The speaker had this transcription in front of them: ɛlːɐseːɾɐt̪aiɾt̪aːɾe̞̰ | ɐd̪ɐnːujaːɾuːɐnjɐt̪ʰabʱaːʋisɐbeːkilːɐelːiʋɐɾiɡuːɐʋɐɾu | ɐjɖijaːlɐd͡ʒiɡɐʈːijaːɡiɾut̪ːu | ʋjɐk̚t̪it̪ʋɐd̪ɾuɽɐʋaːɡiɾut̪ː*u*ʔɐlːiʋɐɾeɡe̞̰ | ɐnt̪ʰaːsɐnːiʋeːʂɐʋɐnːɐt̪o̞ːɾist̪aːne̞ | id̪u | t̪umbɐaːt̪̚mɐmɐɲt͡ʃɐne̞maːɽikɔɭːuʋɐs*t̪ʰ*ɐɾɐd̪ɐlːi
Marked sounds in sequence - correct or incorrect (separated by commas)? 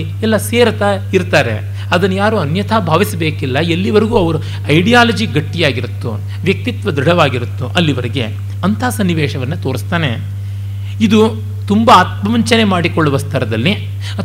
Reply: correct, correct